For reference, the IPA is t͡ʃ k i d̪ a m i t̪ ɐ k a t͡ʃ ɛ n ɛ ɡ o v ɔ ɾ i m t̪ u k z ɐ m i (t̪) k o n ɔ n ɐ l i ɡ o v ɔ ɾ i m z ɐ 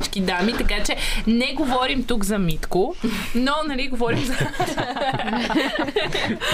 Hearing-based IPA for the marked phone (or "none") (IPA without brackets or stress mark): t̪